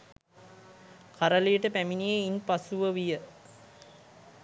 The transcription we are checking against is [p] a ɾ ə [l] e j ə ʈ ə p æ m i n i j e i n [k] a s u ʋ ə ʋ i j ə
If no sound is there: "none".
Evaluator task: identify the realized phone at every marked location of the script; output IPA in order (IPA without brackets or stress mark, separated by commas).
k, l, p